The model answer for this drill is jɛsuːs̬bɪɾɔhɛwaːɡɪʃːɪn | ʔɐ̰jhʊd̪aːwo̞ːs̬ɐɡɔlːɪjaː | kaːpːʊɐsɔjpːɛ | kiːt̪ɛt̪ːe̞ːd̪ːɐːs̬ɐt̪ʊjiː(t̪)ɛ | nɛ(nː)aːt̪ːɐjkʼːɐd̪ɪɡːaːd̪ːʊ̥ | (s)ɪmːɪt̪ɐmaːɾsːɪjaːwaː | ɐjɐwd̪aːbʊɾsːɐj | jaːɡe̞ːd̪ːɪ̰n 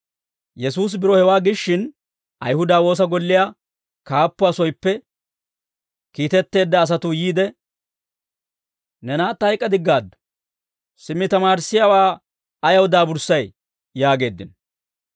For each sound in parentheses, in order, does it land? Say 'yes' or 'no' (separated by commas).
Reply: no, no, yes